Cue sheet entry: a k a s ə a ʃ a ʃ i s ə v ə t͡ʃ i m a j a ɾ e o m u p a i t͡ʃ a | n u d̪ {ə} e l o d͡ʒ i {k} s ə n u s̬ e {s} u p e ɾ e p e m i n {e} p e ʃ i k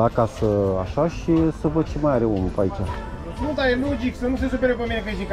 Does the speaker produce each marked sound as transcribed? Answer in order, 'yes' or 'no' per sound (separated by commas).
no, yes, yes, yes